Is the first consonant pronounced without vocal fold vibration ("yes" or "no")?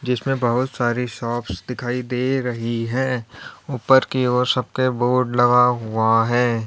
no